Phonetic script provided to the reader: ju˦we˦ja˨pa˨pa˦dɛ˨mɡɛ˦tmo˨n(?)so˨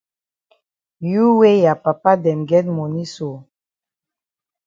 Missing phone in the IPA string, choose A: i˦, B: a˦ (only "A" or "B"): A